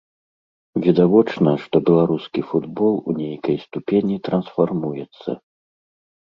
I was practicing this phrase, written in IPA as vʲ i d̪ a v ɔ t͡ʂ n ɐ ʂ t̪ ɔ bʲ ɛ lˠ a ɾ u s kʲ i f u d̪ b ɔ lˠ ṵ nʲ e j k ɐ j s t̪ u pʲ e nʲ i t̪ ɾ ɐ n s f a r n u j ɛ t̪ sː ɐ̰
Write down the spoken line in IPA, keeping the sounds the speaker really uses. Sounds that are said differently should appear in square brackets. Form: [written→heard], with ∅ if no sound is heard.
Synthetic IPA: vʲ i d̪ a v ɔ t͡ʂ n ɐ ʂ t̪ ɔ bʲ ɛ lˠ a ɾ u s kʲ i f u d̪ b ɔ lˠ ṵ nʲ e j k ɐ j s t̪ u pʲ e nʲ i t̪ ɾ ɐ n s f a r [n→m] u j ɛ t̪ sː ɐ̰